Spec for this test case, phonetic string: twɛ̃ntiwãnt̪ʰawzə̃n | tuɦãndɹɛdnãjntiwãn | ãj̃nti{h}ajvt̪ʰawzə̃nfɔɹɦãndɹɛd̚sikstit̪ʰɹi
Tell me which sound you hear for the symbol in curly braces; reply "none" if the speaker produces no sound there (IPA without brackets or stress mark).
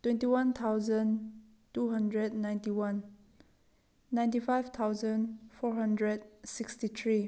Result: f